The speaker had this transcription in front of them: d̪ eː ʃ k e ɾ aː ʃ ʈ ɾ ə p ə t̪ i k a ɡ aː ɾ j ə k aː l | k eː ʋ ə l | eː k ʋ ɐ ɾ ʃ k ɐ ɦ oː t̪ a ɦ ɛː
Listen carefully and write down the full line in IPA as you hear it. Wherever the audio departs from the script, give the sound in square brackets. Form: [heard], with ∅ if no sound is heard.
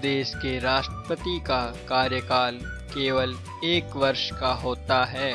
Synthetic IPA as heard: d̪ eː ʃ k e ɾ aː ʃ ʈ ɾ ə p ə t̪ i k a [k] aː ɾ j ə k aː l | k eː ʋ ə l | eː k ʋ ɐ ɾ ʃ k [a] ɦ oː t̪ a ɦ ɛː